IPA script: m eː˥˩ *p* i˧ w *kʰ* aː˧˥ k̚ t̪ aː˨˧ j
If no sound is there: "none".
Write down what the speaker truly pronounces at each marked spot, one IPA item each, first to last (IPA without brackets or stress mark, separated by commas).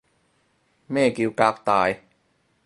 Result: k, k